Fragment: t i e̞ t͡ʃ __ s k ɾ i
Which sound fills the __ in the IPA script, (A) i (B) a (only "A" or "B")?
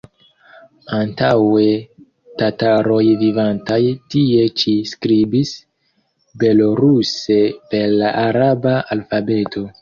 A